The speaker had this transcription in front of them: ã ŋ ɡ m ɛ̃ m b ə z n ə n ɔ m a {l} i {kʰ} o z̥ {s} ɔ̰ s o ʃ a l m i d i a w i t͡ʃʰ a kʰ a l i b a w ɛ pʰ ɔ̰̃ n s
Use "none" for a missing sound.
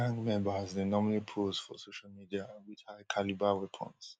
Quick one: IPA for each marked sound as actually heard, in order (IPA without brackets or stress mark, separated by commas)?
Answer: l, pʰ, f